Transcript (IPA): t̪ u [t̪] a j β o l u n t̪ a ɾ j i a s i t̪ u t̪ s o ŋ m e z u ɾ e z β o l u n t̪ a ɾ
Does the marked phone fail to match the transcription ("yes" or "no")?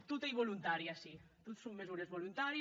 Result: no